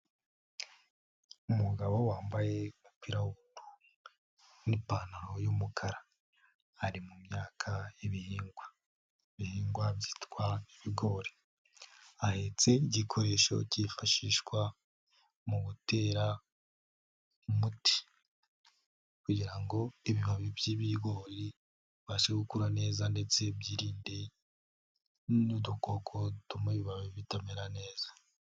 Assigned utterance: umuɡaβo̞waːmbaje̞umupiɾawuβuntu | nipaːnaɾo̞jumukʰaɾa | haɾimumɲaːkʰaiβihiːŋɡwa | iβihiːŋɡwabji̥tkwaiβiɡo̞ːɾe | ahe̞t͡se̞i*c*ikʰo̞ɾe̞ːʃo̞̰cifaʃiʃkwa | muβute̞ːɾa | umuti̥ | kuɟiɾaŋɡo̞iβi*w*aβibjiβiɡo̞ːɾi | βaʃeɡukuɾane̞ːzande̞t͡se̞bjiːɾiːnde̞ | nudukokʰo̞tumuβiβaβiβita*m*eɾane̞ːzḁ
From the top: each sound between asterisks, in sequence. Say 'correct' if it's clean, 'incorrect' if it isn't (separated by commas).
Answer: incorrect, incorrect, correct